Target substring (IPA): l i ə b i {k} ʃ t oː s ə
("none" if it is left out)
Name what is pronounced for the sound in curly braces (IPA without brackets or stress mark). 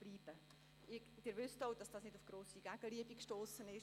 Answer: k